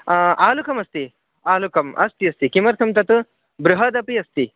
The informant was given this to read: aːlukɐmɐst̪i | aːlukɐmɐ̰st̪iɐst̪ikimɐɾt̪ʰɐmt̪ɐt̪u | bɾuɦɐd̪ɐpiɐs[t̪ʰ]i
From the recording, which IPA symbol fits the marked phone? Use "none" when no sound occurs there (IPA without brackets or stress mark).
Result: t̪